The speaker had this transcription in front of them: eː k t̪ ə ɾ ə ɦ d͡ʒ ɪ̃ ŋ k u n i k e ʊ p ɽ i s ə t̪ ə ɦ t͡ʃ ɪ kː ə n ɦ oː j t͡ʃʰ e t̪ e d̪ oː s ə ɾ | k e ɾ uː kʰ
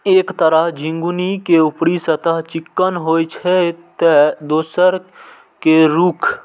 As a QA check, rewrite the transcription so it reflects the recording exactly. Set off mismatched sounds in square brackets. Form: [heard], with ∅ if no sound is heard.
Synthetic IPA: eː k t̪ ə ɾ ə ɦ d͡ʒ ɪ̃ ŋ [ɡ] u n i k e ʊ p ɽ i s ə t̪ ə ɦ t͡ʃ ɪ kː ə n ɦ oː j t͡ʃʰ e t̪ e d̪ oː s ə ɾ | k e ɾ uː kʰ